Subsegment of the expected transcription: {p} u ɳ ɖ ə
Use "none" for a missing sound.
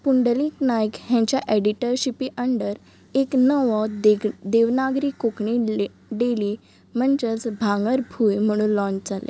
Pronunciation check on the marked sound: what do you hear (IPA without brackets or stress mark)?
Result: p